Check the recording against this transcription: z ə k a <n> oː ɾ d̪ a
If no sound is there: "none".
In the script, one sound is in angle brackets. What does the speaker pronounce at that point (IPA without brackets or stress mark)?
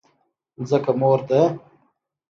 m